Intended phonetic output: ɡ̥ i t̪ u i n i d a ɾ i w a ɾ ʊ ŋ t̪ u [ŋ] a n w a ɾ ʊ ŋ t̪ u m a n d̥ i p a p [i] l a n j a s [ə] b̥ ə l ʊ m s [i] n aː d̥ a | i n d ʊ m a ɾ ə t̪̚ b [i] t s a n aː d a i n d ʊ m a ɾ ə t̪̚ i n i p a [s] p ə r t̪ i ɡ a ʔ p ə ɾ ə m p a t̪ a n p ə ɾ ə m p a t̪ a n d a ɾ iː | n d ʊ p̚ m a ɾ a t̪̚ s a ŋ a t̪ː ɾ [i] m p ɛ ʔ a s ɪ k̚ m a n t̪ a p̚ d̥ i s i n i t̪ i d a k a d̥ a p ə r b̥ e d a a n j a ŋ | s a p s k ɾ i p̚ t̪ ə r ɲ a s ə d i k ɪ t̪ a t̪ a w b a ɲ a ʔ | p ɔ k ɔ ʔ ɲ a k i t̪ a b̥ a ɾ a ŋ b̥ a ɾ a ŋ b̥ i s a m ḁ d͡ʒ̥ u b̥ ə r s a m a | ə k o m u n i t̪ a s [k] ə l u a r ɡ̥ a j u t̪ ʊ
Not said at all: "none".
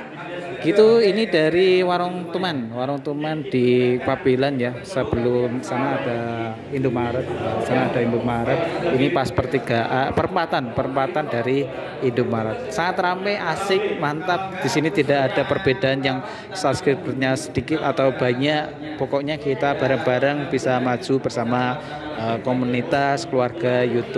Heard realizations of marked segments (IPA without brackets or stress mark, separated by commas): m, i, ə, a, a, s, a, k